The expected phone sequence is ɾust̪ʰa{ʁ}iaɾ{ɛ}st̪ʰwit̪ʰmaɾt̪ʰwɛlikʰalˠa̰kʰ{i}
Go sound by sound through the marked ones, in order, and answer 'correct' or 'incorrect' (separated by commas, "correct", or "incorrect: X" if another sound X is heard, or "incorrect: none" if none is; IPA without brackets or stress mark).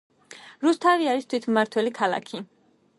incorrect: v, incorrect: i, correct